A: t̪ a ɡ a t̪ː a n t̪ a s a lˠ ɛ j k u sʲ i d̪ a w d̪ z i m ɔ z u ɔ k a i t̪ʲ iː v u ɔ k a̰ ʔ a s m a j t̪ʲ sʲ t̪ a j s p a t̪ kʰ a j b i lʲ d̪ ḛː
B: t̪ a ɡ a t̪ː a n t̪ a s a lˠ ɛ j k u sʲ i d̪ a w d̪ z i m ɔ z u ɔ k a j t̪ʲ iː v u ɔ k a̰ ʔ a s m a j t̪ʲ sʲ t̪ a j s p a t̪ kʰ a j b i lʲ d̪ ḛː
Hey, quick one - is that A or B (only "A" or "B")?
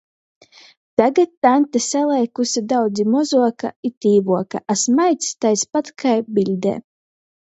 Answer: A